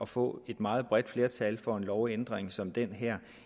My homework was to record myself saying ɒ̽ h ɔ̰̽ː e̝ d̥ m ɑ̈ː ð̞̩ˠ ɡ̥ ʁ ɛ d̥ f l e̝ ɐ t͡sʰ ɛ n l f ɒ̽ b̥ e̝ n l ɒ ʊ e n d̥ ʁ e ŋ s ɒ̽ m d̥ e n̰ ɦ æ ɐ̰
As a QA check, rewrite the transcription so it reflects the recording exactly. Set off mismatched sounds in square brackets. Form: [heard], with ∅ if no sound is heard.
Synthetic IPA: ɒ̽ [f] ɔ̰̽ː e̝ d̥ m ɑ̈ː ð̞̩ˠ [b̥] ʁ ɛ d̥ f l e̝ ɐ t͡sʰ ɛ [∅] l f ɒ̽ [∅] e̝ n l ɒ ʊ e n d̥ ʁ e ŋ s ɒ̽ m d̥ e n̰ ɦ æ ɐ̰